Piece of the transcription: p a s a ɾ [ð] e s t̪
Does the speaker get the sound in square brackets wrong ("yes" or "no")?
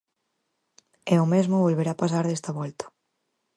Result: no